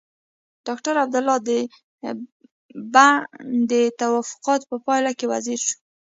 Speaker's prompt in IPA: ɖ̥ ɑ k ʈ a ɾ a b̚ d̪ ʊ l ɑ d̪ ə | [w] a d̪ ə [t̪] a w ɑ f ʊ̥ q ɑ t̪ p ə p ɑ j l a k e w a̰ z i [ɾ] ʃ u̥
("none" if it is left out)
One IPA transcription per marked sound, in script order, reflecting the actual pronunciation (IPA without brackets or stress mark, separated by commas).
b, t̪, ɾ